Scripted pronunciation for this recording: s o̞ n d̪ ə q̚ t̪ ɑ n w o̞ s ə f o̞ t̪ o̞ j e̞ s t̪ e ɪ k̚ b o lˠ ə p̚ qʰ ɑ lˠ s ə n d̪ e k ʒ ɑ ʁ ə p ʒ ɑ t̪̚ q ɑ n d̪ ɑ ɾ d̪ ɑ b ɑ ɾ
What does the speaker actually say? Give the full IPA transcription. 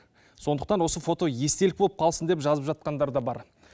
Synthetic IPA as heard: s o̞ n d̪ ə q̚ t̪ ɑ n w o̞ s ə f o̞ t̪ o̞ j e̞ s t̪ e ɪ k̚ b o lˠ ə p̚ qʰ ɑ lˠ s ə n d̪ e p ʒ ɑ z ə p ʒ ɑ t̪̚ q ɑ n d̪ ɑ ɾ d̪ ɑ b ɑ ɾ